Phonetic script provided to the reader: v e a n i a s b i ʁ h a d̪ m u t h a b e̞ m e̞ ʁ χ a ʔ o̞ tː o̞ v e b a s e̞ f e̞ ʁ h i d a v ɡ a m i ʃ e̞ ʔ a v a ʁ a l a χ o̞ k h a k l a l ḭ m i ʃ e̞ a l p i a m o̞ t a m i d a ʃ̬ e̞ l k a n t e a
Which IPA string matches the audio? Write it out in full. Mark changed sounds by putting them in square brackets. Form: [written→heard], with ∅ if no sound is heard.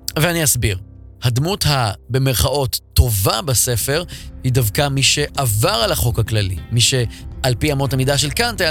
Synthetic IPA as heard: v e a n i a s b i ʁ h a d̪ m u t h a b e̞ m e̞ ʁ χ a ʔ o̞ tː o̞ v [e→a] b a s e̞ f e̞ ʁ h i d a v [ɡ→k] a m i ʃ e̞ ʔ a v a ʁ a l a χ o̞ k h a k l a l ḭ m i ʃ e̞ a l p i a m o̞ t a m i d a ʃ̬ e̞ l k a n t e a